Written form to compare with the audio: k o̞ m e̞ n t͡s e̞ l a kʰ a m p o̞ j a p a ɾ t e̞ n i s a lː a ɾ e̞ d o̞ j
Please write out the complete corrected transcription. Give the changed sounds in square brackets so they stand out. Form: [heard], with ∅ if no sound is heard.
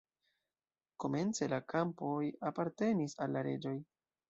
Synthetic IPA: k o̞ m e̞ n t͡s e̞ l a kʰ a m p o̞ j a p a ɾ t e̞ n i s a lː a ɾ e̞ [d͡ʒ] o̞ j